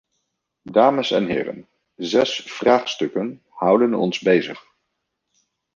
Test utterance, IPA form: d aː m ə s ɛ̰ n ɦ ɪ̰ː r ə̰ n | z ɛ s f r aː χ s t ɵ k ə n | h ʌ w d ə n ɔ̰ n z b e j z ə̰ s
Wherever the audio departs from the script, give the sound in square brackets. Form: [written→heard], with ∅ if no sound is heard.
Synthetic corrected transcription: d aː m ə s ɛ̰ n ɦ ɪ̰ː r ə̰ n | z ɛ s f r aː χ s t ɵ k ə n | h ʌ w d ə n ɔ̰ n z b e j z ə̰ [s→χ]